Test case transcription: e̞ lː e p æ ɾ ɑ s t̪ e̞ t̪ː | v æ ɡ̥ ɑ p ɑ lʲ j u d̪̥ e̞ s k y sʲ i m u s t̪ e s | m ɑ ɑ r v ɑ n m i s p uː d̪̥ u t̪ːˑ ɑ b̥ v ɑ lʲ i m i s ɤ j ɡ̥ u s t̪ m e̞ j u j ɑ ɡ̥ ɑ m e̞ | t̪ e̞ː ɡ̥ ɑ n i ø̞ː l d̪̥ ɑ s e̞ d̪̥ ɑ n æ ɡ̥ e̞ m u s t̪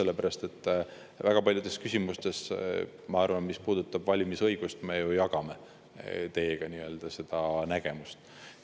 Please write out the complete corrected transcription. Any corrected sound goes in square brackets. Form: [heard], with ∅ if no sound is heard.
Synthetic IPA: e̞ lː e p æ ɾ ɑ s t̪ e̞ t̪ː | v æ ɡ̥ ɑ p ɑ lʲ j u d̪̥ e̞ s k y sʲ i m u s t̪ e s | m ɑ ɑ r v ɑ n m i s p uː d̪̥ u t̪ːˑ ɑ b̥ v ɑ lʲ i m i s ɤ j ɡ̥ u s t̪ m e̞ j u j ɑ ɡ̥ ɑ m e̞ | t̪ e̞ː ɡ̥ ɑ n i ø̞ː l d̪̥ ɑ s e̞ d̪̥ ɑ n æ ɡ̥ e̞ m u s t̪